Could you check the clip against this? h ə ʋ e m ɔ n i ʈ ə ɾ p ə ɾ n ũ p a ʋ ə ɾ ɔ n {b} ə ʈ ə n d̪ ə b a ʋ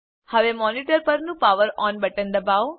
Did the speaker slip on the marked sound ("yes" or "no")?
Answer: no